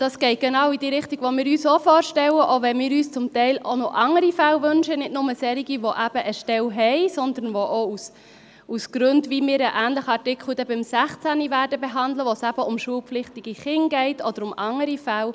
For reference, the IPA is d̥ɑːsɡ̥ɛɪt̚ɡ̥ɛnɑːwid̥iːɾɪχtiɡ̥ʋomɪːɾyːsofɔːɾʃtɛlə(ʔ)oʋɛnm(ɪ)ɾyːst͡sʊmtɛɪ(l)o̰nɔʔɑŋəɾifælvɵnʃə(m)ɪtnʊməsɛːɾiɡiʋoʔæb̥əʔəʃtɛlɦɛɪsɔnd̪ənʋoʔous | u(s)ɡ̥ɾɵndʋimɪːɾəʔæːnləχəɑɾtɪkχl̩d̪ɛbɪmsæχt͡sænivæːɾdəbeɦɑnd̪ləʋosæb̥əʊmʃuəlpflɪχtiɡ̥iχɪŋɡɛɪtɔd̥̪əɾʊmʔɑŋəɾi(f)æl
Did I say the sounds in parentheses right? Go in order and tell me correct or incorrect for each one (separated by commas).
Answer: correct, incorrect, correct, incorrect, correct, correct